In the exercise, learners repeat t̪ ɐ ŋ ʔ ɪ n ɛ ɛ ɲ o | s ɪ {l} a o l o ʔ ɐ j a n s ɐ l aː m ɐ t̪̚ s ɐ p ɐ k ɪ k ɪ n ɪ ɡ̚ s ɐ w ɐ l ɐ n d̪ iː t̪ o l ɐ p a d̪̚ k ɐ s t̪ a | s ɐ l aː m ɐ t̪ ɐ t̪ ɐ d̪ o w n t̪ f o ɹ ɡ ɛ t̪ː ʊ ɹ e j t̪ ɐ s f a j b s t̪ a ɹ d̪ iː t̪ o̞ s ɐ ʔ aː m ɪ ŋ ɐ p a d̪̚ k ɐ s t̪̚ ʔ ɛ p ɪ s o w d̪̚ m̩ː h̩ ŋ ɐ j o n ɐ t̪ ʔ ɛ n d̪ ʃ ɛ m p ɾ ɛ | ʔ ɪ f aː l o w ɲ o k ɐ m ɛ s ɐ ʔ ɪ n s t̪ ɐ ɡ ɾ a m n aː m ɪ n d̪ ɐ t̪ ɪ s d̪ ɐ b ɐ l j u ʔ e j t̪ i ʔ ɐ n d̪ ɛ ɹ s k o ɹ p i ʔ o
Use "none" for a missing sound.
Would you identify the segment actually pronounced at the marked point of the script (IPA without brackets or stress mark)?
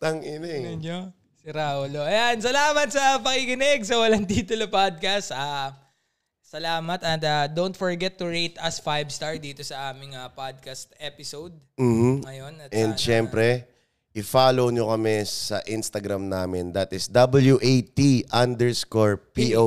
ɾ